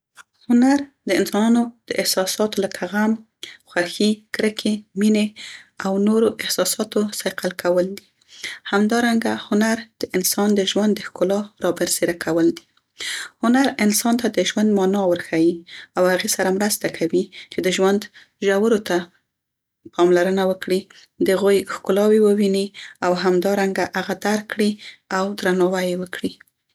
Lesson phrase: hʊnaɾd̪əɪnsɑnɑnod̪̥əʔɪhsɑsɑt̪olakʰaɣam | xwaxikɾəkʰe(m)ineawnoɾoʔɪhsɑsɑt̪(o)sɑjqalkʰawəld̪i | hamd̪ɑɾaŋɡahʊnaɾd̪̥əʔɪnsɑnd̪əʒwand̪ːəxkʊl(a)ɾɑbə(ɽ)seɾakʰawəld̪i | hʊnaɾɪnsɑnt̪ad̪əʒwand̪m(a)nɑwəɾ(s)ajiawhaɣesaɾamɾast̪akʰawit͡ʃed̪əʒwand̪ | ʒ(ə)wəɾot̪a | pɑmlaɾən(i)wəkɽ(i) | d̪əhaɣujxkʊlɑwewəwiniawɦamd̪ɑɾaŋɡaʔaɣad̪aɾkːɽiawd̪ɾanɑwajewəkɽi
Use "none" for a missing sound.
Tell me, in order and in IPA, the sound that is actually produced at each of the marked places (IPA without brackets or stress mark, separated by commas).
m, o, ɑ, ɾ, ɑ, x, a, a, i